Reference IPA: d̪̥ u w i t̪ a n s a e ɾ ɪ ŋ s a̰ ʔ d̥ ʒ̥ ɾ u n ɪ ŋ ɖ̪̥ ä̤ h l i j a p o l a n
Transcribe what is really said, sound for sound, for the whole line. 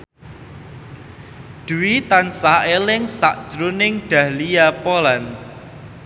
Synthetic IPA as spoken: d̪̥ u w i t̪ a n s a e l ɪ ŋ s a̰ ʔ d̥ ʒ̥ ɾ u n ɪ ŋ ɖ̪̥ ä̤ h l i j a p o l a n